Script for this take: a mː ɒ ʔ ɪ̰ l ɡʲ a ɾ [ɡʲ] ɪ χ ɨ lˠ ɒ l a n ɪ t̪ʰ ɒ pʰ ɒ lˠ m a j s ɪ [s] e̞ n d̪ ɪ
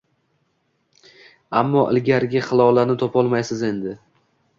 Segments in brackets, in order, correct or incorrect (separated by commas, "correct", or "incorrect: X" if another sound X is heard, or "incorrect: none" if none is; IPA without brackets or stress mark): correct, incorrect: z